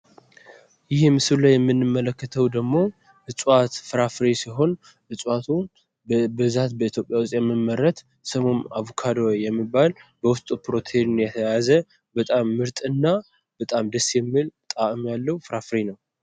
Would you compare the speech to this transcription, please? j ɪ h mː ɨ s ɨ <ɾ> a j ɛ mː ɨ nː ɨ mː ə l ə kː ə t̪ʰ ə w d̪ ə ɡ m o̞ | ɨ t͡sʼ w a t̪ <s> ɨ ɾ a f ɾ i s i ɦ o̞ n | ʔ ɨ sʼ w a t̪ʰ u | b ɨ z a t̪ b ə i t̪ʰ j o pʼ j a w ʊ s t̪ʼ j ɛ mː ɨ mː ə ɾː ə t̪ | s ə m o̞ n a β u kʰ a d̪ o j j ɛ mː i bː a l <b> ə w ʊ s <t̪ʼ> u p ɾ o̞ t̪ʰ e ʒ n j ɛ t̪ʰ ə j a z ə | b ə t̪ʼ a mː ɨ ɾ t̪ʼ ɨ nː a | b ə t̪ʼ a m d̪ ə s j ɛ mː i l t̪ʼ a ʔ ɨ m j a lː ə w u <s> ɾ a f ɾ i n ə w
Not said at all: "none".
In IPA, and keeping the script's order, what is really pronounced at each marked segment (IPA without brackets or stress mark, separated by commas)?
l, f, b, t̪ʼ, f